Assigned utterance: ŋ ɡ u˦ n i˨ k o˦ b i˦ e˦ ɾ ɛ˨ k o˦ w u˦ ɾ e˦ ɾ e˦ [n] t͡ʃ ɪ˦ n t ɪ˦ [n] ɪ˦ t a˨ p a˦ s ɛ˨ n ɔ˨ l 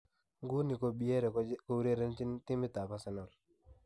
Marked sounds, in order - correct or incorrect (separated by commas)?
correct, incorrect